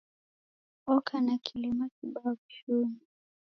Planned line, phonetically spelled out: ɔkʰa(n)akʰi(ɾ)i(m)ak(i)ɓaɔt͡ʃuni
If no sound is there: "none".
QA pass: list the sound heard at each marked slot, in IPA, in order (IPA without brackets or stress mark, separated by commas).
n, l, m, i